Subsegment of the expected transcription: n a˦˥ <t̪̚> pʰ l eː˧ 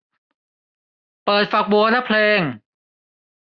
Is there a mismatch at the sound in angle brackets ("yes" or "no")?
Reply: yes